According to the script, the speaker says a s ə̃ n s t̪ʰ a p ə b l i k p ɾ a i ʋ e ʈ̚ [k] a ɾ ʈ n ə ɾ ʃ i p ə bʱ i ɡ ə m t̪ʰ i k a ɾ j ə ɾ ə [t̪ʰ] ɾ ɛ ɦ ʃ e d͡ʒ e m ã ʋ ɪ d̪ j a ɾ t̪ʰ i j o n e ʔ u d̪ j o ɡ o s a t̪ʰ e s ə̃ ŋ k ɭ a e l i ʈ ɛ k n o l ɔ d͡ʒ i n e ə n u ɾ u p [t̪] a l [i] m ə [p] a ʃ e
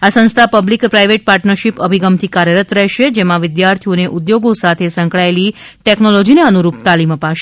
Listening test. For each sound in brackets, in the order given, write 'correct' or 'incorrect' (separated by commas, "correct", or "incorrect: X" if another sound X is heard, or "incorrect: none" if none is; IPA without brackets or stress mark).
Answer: incorrect: p, incorrect: t̪, correct, correct, correct